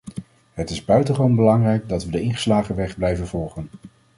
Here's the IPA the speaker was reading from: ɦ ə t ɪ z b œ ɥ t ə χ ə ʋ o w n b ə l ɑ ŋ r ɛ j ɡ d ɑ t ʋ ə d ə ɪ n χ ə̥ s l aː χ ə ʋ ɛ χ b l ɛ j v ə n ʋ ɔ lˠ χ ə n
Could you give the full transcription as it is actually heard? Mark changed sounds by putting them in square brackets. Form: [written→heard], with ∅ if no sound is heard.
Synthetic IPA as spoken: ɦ ə t ɪ z b œ ɥ t ə χ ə ʋ o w n b ə l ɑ ŋ r ɛ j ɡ d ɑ t ʋ ə d ə ɪ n χ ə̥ s l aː χ ə ʋ ɛ χ b l ɛ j v ə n [ʋ→v] ɔ lˠ χ ə n